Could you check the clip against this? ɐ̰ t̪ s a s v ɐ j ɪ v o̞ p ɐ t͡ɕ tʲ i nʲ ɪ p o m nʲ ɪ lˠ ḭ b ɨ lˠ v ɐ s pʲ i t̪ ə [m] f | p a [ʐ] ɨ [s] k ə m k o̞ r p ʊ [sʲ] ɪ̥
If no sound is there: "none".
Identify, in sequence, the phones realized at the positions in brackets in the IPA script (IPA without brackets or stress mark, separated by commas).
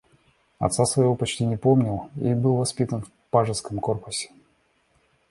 n, ʐ, s, sʲ